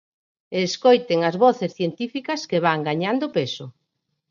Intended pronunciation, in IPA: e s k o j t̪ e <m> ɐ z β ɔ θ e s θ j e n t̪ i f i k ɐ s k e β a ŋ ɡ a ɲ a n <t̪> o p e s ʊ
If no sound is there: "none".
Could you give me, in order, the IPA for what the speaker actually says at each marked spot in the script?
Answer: ŋ, d̪

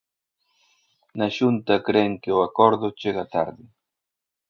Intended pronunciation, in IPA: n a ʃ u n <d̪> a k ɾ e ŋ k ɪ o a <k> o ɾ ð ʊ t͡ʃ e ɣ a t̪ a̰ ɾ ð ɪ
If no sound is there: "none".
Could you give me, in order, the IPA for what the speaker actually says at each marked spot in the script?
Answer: t̪, k

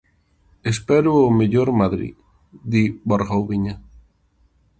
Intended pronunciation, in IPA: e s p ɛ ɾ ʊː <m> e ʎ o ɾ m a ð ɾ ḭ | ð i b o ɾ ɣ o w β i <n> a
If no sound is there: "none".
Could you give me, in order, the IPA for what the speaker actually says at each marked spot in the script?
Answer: m, ɲ

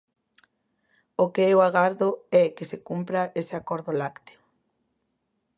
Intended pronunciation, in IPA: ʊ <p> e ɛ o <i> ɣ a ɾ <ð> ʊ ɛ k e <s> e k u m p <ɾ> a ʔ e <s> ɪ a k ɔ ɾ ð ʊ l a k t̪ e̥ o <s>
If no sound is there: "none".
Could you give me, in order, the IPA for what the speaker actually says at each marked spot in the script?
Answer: k, a, ð, s, ɾ, s, none

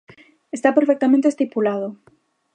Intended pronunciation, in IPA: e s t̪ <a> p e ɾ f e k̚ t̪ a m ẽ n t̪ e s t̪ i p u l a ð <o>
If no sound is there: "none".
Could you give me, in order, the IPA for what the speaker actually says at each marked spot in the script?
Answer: a, o

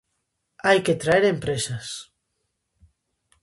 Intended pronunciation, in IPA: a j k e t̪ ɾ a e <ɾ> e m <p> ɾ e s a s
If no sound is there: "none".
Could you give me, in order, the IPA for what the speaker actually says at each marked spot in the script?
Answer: ɾ, p

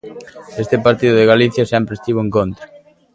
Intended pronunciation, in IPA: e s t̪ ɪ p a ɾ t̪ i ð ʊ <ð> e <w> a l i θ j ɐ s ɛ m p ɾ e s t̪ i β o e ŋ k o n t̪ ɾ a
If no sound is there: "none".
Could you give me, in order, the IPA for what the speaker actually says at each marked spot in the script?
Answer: ð, ɣ

